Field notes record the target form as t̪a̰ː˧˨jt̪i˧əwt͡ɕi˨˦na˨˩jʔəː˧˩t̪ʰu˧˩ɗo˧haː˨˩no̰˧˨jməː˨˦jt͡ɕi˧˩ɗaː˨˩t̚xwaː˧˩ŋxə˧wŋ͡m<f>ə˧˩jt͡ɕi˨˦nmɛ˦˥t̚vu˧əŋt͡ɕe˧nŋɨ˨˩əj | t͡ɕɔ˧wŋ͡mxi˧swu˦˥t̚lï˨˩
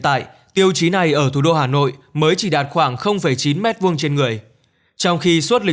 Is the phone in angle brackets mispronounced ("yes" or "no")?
no